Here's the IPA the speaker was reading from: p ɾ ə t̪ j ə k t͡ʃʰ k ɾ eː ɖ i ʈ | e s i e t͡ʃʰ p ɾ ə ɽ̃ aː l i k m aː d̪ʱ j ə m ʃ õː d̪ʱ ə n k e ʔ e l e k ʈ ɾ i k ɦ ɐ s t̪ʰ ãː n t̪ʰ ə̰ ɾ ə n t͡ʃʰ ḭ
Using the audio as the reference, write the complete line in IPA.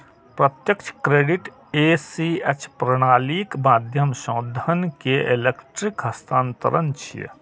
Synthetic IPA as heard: p ɾ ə t̪ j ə k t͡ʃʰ k ɾ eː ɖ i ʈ | e s i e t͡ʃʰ p ɾ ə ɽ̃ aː l i k m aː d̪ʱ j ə m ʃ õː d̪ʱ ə n k e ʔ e l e k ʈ ɾ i k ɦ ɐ s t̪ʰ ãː n t̪ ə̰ ɾ ə n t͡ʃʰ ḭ